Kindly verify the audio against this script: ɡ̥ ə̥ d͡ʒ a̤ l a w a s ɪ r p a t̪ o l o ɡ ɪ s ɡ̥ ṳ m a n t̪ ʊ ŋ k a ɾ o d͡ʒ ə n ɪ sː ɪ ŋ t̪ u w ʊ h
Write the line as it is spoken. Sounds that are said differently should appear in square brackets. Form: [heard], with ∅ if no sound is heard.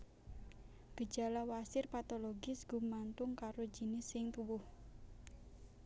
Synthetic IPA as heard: ɡ̥ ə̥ d͡ʒ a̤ l a w a s ɪ r p a t̪ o l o ɡ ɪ s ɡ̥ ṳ m a n t̪ ʊ ŋ k a ɾ o d͡ʒ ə n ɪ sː ɪ ŋ t̪ u w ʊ h